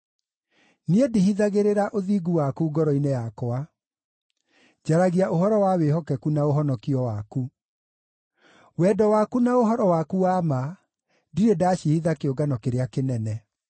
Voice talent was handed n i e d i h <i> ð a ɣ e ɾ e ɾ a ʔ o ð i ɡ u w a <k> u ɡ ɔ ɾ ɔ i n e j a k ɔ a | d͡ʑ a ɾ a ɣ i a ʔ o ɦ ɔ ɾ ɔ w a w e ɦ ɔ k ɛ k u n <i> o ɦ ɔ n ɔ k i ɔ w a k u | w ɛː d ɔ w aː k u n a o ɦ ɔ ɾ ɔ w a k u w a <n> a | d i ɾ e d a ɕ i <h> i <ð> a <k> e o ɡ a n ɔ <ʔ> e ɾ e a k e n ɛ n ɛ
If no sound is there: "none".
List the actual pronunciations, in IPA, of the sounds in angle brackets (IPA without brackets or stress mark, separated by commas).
i, k, a, m, h, ð, k, k